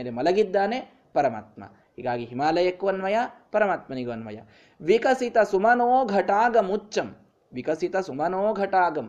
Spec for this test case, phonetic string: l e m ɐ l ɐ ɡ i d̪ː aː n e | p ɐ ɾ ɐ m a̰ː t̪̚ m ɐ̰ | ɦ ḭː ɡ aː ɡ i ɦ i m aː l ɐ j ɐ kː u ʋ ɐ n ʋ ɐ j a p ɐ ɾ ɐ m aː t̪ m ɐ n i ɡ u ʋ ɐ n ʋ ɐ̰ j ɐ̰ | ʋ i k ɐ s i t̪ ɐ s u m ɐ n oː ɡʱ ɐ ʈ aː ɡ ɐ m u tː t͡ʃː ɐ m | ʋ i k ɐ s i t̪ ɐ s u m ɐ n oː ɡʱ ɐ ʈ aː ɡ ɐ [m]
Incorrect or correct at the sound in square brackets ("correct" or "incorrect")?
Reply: correct